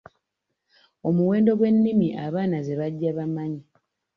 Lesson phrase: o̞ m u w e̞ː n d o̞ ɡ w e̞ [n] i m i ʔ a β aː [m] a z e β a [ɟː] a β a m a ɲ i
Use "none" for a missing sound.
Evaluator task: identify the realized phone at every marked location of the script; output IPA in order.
nː, n, ɟː

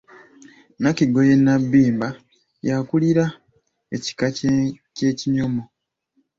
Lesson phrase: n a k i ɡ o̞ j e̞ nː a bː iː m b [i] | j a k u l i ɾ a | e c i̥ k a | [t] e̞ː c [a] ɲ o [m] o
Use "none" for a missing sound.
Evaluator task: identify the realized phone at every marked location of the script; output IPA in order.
a, c, i, m

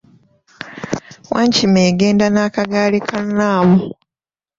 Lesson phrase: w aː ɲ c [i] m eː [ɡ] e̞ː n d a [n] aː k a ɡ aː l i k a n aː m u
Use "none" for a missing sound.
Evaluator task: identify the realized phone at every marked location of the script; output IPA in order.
i, ɡ, n

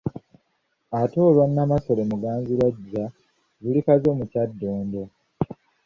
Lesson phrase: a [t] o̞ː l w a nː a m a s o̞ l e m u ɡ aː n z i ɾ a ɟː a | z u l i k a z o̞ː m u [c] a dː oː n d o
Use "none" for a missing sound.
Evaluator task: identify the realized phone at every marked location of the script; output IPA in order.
t, c

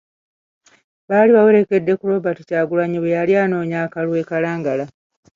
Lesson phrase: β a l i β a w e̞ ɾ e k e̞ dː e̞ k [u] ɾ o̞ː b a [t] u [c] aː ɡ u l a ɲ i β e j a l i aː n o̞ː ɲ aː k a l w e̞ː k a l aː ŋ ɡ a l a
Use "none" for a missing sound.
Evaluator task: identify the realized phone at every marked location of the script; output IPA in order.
u, t, c

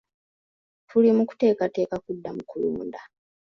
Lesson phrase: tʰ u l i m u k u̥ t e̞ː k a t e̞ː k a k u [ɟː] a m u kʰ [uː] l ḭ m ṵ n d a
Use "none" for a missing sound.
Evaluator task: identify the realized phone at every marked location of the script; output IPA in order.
dː, u

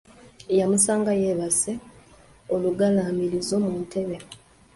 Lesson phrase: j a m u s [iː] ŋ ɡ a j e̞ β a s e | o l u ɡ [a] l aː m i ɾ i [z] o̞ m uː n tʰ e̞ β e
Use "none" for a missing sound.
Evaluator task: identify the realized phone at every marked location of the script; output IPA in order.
aː, a, z

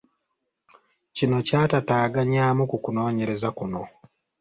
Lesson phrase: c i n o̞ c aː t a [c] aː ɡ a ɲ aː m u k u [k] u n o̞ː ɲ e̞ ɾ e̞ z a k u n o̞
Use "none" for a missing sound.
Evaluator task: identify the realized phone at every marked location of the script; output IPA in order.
t, k

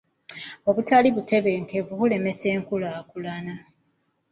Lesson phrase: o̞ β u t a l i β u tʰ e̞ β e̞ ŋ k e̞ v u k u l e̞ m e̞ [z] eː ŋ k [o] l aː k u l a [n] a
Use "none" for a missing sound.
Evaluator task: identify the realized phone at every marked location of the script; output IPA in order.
s, u, n

